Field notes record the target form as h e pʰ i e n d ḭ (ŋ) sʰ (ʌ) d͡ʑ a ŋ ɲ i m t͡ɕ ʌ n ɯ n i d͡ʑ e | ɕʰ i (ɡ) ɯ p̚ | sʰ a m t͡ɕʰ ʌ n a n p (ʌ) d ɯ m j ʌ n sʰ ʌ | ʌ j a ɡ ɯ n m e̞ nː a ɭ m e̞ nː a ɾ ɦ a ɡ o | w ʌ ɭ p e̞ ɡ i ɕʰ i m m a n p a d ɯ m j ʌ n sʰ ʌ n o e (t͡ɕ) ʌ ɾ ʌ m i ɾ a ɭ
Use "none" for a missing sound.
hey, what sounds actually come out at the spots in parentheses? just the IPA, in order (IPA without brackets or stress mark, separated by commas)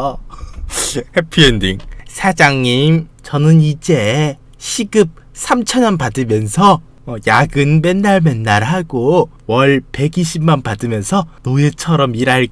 ŋ, a, ɡ, a, t͡ɕʰ